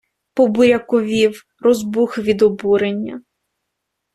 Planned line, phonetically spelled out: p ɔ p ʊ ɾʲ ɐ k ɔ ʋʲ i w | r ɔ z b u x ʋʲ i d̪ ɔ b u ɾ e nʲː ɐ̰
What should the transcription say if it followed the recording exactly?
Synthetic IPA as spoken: p ɔ b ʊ ɾʲ ɐ k ɔ ʋʲ i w | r ɔ z b u x ʋʲ i d̪ ɔ b u ɾ e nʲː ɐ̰